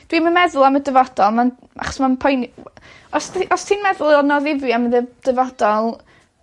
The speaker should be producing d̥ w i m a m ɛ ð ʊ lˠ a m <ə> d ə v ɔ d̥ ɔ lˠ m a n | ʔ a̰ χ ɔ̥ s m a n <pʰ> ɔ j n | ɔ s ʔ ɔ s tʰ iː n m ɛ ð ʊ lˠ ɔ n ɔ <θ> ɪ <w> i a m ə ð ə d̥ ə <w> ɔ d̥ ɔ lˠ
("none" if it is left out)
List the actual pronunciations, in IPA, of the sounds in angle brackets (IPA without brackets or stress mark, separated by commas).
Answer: ə, pʰ, ð, v, v